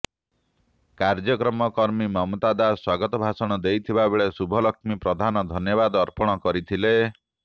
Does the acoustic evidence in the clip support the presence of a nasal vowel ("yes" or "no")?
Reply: no